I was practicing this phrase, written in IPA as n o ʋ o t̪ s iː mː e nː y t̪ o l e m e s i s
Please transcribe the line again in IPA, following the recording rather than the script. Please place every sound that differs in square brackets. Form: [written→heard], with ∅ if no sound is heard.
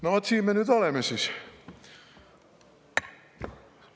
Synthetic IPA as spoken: n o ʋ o t̪ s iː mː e [nː→n] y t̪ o l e m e s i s